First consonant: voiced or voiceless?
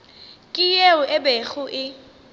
voiceless